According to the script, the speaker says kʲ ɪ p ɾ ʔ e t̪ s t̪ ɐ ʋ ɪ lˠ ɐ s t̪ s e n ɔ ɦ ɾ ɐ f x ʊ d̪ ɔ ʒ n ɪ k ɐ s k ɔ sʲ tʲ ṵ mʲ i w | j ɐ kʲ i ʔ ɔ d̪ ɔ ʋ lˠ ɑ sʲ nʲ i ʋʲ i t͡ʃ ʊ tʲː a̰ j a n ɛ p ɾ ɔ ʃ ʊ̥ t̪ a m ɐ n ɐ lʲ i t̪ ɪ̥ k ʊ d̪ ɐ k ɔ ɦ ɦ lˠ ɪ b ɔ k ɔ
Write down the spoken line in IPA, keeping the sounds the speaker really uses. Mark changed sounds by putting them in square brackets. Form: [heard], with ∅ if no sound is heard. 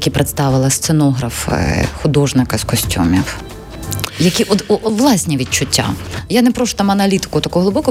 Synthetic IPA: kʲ [i] p ɾ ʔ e t̪ s t̪ [ɑ] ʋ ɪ lˠ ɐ s t̪ s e n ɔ ɦ ɾ ɐ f x ʊ d̪ ɔ ʒ n ɪ k ɐ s k ɔ sʲ tʲ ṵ mʲ i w | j ɐ kʲ i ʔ ɔ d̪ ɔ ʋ lˠ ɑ sʲ nʲ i ʋʲ i t͡ʃ ʊ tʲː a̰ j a n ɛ p ɾ ɔ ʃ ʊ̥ t̪ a m ɐ n ɐ lʲ i t̪ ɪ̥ k ʊ [t̪] ɐ k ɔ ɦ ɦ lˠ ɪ b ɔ k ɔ